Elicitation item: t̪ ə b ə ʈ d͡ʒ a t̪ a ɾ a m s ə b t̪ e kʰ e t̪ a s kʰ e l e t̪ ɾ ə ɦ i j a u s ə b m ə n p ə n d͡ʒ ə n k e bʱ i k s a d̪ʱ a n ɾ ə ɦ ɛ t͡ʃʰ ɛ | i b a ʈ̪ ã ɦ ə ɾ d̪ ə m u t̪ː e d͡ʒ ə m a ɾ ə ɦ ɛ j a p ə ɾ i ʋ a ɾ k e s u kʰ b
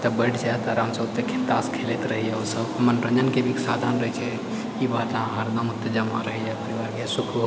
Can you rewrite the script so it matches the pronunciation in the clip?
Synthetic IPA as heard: t̪ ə b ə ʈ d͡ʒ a t̪ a ɾ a m s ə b t̪ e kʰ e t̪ a s kʰ e l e t̪ ɾ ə ɦ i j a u s ə b m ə n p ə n d͡ʒ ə n k e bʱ i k s a d̪ʱ a n ɾ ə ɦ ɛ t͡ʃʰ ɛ | i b a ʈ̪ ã ɦ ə ɾ d̪ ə m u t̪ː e d͡ʒ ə m a ɾ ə ɦ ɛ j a p ə ɾ i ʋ a ɾ k e s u kʰ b